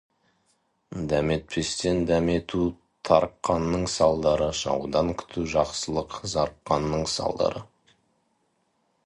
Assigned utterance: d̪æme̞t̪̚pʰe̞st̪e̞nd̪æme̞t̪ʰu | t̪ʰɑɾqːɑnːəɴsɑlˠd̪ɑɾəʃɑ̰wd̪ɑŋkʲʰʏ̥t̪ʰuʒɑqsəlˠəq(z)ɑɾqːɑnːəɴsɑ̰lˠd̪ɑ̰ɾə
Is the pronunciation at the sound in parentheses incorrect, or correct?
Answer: correct